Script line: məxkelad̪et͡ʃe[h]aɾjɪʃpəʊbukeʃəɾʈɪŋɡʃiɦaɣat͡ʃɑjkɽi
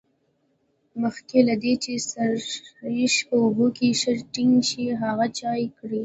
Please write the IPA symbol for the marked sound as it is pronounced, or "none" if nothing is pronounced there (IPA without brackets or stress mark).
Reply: s